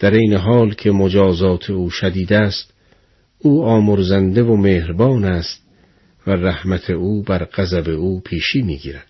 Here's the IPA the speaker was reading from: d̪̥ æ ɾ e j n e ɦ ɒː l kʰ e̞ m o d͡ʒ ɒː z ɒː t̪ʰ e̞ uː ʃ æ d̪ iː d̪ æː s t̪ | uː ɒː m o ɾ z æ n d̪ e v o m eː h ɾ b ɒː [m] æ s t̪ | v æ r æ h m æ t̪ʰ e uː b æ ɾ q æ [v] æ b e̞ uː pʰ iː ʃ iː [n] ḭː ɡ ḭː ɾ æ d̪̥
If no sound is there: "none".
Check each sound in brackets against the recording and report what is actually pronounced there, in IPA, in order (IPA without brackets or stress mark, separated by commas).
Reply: n, z, m